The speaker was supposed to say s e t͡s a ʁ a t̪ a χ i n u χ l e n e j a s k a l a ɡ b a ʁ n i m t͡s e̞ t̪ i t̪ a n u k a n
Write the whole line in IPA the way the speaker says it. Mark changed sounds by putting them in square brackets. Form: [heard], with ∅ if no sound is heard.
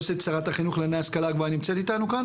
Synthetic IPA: s e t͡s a ʁ a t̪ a χ i n u χ l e n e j a s k a l a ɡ [v] a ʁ n i m t͡s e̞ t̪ i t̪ a n u k a n